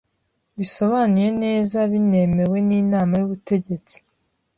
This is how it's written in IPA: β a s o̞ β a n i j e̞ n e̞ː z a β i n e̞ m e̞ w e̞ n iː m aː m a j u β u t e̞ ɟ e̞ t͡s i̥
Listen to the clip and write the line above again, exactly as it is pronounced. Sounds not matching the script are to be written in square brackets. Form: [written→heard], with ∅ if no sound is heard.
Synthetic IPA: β [a→i] s o̞ β a n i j e̞ n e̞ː z a β i n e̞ m e̞ w e̞ n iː [m→n] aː m a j u β u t e̞ ɟ e̞ t͡s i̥